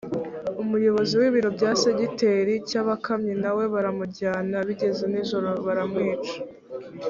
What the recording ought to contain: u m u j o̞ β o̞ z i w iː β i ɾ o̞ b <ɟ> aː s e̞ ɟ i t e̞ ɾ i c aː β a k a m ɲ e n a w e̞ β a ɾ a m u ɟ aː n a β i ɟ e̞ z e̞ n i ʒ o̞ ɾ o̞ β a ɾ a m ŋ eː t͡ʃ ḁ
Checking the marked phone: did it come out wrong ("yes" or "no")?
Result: no